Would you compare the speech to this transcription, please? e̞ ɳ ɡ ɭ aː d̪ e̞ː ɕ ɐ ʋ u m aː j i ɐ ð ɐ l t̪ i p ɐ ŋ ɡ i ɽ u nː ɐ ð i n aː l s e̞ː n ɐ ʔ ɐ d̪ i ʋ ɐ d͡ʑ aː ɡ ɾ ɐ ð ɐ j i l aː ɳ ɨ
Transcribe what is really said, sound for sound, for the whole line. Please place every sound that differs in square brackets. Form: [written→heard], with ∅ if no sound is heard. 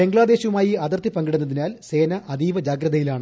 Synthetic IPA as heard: e̞ [ɳ→ŋ] ɡ ɭ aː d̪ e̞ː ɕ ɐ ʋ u m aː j i ɐ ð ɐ [l→r] t̪ i p ɐ ŋ ɡ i ɽ u nː ɐ ð i n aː l s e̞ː n ɐ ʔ ɐ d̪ [i→iː] ʋ ɐ d͡ʑ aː ɡ ɾ ɐ ð ɐ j i l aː ɳ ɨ